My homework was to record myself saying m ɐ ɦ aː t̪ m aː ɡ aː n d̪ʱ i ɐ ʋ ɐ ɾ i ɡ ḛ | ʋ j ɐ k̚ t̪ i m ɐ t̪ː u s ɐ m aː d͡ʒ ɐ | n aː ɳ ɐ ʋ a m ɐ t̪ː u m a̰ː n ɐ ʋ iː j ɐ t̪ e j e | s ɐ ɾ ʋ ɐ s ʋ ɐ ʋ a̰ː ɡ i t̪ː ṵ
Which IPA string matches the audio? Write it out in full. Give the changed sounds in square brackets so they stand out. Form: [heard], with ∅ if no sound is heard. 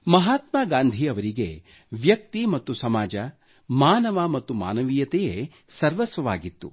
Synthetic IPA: m ɐ ɦ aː t̪ m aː ɡ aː n d̪ʱ i ɐ ʋ ɐ ɾ i ɡ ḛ | ʋ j ɐ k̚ t̪ i m ɐ t̪ː u s ɐ m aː d͡ʒ ɐ | [m] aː [n] ɐ ʋ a m ɐ t̪ː u m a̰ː n ɐ ʋ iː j ɐ t̪ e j e | s ɐ ɾ ʋ ɐ s ʋ ɐ ʋ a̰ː ɡ i t̪ː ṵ